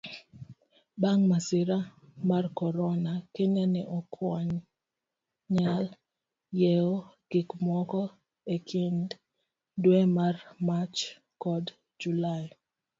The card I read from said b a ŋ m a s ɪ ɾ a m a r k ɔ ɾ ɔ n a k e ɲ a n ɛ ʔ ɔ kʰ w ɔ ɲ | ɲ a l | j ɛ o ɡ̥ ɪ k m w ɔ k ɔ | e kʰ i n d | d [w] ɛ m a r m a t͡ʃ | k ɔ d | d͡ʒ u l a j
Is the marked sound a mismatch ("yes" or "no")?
no